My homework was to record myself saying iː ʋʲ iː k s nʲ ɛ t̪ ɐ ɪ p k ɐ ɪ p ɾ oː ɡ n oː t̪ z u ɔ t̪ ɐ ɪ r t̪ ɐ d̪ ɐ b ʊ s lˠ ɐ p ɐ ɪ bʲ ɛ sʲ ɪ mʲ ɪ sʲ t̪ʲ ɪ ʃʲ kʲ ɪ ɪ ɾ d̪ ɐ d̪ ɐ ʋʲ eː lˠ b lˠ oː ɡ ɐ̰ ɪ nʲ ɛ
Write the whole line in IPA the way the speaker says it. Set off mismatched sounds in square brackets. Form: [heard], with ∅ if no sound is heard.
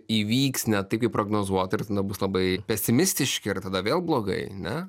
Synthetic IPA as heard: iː ʋʲ iː k s nʲ ɛ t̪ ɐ ɪ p k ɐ ɪ p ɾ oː ɡ n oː [∅] z u ɔ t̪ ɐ ɪ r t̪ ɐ d̪ ɐ b ʊ s lˠ ɐ [b] ɐ ɪ [pʲ] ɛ sʲ ɪ mʲ ɪ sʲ t̪ʲ ɪ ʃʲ kʲ ɪ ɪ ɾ [t̪] ɐ d̪ ɐ ʋʲ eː lˠ b lˠ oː ɡ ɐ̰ ɪ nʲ ɛ